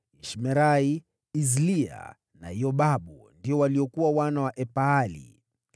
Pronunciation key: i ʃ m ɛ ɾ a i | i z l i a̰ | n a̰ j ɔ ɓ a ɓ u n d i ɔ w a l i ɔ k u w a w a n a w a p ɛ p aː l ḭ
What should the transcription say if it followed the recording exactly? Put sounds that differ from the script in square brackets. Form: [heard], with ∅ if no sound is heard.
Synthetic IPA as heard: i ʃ m ɛ ɾ a i | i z l i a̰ | n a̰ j ɔ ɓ a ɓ u n d i ɔ w a l i ɔ k u w a w a n a w a [ʔ] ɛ p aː l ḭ

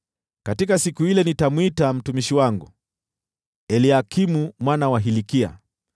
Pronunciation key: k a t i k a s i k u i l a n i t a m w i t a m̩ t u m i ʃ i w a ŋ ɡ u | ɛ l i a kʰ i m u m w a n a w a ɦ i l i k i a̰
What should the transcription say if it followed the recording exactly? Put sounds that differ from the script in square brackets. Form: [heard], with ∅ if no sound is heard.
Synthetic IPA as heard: k a t i k a s i k u i l [ɛ] n i t a m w i t a m̩ t u m i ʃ i w a ŋ ɡ u | ɛ l i a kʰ i m u m w a n a w a ɦ i l i k i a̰

